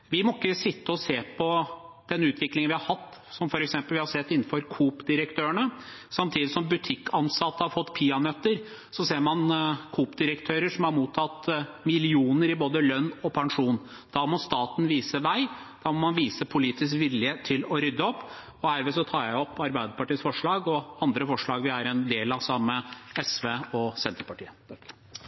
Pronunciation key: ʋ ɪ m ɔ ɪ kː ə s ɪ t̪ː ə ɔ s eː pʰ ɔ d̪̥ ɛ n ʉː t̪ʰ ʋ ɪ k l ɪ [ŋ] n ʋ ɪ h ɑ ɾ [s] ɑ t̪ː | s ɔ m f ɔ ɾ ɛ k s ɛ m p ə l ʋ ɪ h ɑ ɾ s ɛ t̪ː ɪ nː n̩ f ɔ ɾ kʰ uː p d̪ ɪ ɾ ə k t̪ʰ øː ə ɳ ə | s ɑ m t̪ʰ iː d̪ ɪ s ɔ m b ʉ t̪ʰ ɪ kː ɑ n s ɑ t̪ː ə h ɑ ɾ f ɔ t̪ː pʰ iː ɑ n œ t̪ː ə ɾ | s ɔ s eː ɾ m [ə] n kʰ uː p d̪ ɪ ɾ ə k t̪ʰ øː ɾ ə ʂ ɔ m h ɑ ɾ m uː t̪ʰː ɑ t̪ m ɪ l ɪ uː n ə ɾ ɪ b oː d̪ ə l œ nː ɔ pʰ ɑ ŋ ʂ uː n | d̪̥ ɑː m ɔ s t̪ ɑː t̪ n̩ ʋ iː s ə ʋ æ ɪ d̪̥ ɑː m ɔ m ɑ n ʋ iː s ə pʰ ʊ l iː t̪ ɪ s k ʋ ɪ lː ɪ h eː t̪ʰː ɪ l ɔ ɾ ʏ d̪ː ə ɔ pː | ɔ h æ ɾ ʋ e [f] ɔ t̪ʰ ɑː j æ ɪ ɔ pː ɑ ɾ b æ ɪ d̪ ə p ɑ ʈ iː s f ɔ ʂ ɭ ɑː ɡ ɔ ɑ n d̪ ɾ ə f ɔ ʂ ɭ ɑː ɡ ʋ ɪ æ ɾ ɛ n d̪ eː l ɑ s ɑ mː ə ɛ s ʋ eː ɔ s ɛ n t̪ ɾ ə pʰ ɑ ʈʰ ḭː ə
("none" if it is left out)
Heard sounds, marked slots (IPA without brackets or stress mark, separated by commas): ŋ, h, ɑ, s